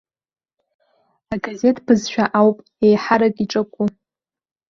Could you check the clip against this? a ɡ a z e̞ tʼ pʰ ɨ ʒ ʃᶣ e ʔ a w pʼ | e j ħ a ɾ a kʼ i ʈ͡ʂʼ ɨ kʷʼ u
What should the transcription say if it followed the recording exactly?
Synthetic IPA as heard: a ɡ a z e̞ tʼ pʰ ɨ z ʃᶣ a ʔ a w pʼ | e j ħ a ɾ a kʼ i ʈ͡ʂʼ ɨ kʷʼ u